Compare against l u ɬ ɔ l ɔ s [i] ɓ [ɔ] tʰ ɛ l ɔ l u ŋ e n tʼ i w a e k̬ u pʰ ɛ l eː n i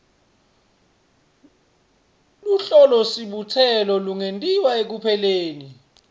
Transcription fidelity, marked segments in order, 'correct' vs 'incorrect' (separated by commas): correct, incorrect